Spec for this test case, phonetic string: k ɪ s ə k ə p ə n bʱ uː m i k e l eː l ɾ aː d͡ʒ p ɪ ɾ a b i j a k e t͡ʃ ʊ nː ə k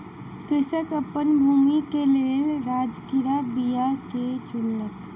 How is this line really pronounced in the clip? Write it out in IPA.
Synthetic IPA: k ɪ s ə k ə p ə n bʱ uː m i k e l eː l ɾ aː d͡ʒ k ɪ ɾ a b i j a k e t͡ʃ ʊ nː ə k